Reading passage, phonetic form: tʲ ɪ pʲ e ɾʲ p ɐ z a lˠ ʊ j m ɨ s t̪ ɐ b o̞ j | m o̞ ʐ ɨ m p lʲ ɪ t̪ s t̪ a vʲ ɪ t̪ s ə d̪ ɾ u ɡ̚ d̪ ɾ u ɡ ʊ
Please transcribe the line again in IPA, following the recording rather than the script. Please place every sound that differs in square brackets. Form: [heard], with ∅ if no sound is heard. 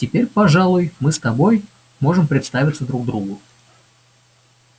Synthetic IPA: tʲ ɪ pʲ e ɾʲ p ɐ [ʐ] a lˠ ʊ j m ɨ s t̪ ɐ b o̞ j | m o̞ ʐ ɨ m p [ɾʲ] ɪ t̪ s t̪ a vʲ ɪ t̪ s ə d̪ ɾ u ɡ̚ d̪ ɾ u ɡ ʊ